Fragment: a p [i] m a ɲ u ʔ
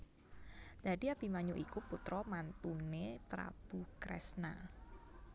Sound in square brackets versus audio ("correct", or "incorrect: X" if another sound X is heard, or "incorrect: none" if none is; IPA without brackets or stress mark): correct